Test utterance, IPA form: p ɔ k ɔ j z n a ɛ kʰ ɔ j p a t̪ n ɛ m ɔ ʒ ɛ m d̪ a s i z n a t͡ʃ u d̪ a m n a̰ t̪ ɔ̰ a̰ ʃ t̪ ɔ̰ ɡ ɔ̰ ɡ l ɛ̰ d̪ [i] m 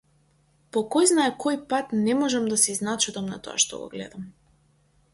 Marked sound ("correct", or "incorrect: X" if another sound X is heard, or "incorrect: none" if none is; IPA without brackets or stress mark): incorrect: a